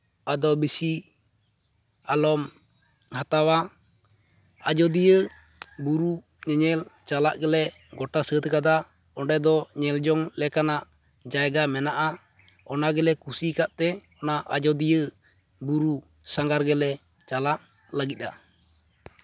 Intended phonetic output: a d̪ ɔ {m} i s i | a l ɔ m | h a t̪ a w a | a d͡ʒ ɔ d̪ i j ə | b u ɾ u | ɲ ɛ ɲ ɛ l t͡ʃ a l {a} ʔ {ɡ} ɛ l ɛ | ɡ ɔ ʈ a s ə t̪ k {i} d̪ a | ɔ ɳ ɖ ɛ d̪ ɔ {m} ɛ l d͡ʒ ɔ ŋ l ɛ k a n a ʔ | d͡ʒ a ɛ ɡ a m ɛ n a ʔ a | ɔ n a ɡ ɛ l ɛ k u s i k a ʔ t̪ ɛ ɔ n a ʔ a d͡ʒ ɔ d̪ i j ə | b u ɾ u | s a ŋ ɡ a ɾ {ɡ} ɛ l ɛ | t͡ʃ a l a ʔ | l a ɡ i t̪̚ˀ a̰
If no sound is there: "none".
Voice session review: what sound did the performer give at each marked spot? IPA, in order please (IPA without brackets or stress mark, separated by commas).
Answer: b, a, ɡ, a, ɲ, ɡ